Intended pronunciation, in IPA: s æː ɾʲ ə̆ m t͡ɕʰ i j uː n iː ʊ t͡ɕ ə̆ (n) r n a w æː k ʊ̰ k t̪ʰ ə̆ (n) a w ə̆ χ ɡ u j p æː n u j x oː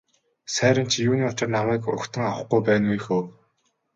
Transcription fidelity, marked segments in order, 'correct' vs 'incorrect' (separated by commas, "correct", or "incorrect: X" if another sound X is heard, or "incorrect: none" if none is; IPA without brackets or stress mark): incorrect: none, incorrect: ŋ